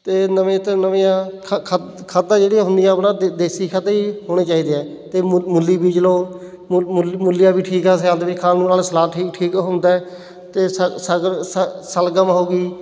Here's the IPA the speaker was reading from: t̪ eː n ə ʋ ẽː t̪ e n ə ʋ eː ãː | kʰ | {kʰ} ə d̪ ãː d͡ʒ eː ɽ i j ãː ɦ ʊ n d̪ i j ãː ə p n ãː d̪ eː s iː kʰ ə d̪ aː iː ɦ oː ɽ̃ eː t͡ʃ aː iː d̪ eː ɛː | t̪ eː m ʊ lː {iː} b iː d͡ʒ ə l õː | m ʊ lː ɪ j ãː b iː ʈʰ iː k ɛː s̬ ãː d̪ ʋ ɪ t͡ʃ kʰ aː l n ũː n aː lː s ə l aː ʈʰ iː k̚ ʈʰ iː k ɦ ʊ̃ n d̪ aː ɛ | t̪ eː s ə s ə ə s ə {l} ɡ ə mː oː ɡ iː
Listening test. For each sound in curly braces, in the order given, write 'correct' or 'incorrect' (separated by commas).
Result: correct, correct, correct